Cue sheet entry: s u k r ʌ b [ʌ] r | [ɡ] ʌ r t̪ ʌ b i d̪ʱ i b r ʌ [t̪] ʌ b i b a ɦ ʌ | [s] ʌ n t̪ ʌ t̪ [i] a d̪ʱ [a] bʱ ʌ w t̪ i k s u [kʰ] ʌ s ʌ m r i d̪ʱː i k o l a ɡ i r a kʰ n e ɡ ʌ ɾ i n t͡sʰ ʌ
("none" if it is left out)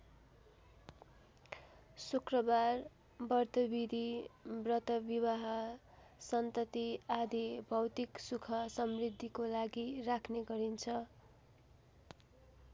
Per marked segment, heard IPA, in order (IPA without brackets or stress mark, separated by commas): a, b, t̪, s, i, i, kʰ